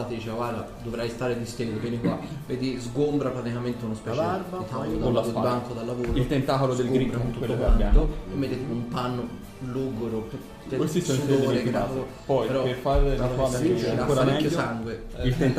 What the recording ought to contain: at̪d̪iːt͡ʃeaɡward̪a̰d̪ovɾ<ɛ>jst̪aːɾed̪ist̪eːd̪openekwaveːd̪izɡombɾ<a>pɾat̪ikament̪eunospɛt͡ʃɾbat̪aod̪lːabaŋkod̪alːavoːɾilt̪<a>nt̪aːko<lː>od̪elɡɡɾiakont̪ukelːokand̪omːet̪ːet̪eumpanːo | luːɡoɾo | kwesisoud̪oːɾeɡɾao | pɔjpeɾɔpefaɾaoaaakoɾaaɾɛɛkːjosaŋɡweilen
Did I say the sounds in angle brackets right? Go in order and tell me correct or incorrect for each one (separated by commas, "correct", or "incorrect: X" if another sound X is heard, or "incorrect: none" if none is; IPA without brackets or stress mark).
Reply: incorrect: a, correct, incorrect: e, incorrect: l